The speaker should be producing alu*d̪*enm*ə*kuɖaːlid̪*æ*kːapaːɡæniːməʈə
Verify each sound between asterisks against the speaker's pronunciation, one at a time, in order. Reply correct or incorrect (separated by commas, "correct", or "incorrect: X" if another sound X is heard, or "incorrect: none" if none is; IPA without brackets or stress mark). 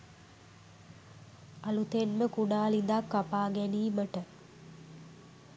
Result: incorrect: t̪, correct, incorrect: a